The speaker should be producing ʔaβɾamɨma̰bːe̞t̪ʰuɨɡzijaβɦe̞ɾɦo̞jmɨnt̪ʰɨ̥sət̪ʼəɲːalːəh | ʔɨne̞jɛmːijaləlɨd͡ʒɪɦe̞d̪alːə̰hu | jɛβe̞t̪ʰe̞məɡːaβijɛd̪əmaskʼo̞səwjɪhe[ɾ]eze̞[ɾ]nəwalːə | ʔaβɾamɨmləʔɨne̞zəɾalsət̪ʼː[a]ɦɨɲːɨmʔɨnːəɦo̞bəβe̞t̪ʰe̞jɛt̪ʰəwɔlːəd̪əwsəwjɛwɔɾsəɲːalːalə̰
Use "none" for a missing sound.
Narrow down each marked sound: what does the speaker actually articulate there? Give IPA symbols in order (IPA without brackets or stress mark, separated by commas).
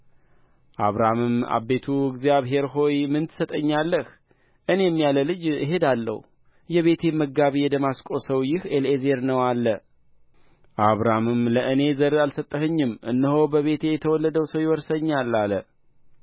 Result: l, ɾ, ə